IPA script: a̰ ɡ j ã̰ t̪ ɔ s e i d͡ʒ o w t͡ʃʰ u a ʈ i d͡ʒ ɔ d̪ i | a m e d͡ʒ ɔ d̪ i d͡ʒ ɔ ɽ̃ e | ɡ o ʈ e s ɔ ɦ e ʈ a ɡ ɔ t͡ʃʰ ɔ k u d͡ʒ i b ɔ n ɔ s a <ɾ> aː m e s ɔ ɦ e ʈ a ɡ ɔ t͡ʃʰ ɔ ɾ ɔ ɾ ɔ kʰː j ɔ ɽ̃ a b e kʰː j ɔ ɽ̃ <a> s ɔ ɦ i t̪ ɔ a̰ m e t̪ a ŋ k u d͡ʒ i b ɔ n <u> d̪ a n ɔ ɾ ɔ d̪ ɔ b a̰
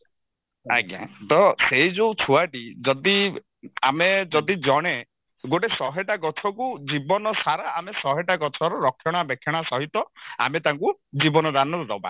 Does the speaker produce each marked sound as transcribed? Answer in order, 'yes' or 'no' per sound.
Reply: yes, yes, no

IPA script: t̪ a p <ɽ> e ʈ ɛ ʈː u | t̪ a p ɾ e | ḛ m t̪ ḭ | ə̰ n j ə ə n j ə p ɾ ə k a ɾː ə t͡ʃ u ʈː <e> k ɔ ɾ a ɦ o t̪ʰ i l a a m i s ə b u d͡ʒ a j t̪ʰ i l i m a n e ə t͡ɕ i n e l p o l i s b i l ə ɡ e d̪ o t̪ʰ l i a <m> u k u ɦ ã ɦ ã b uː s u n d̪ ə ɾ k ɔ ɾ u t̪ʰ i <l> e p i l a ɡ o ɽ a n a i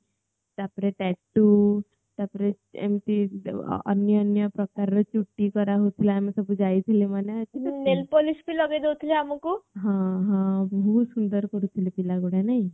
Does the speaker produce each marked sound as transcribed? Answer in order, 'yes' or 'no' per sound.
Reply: no, no, yes, yes

